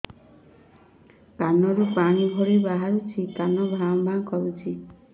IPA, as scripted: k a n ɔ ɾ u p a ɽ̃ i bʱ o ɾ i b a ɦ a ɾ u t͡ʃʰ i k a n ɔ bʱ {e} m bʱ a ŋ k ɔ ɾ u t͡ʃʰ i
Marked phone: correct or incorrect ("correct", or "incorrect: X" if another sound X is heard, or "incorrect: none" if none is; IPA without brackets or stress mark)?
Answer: incorrect: a